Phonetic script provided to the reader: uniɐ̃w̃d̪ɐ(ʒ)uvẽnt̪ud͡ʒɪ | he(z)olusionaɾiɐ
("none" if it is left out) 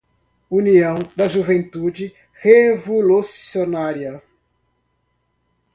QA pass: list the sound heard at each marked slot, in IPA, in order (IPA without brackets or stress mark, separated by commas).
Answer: ʒ, v